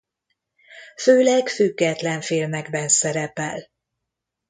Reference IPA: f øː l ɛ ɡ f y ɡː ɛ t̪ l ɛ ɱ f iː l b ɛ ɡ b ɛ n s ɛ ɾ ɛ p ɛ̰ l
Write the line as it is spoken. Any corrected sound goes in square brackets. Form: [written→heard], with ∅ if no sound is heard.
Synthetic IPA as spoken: f øː l ɛ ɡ f y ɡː ɛ t̪ l ɛ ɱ f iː l [b→m] ɛ ɡ b ɛ n s ɛ ɾ ɛ p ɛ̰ l